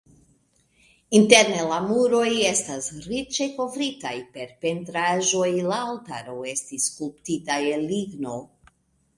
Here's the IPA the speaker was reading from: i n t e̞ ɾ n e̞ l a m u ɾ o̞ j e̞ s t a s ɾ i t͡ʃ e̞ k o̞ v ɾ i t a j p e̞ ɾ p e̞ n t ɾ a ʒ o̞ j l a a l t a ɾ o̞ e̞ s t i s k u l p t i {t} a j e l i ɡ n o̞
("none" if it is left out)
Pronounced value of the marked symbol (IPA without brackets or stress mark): t